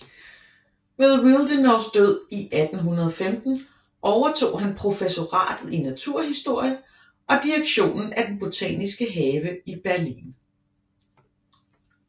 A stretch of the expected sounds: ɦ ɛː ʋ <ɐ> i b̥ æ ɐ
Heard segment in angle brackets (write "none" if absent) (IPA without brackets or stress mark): ə